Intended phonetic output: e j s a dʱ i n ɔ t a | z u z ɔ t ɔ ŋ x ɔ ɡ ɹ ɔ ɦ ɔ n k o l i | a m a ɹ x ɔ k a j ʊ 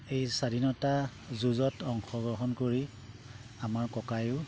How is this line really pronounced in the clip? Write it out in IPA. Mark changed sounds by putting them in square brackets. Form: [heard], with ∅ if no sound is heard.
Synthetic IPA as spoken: e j s a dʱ i n ɔ t a | z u z ɔ t ɔ ŋ x ɔ ɡ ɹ ɔ ɦ ɔ n k o [ɹ] i | a m a ɹ [k] ɔ k a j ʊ